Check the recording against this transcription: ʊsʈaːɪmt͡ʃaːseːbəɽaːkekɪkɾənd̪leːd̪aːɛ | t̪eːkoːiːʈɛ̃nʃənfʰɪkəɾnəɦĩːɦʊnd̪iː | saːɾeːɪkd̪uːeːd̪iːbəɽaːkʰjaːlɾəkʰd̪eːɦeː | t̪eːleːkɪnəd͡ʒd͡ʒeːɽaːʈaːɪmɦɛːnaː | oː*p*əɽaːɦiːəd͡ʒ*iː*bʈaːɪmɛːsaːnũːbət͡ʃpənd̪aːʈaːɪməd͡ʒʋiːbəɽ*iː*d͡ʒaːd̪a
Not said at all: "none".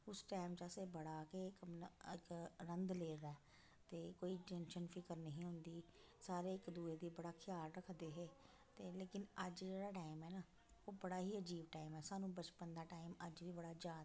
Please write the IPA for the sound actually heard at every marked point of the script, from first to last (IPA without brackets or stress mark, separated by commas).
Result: b, iː, aː